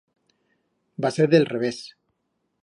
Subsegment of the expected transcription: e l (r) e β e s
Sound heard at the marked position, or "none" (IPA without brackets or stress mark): r